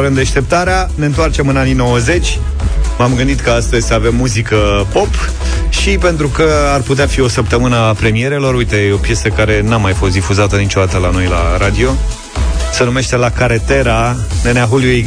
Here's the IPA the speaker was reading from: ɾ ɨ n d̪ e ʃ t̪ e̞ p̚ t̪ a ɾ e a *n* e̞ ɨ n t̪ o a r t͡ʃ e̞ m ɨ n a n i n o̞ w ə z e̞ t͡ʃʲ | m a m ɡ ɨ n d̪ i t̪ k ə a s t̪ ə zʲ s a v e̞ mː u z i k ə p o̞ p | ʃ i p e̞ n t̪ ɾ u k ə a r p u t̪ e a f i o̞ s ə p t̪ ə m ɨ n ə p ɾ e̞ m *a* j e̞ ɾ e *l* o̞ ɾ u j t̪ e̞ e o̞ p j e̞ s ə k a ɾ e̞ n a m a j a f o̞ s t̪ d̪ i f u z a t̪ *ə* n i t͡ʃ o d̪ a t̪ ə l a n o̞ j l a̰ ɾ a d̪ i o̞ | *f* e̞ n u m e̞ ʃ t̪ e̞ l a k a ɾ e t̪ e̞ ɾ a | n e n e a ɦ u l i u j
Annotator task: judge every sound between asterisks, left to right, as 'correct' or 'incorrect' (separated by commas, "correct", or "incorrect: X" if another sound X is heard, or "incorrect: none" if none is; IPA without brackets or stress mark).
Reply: correct, incorrect: i, correct, correct, incorrect: s